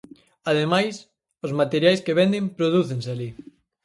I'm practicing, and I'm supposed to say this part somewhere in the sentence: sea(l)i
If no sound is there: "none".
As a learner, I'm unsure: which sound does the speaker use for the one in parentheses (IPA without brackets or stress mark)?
l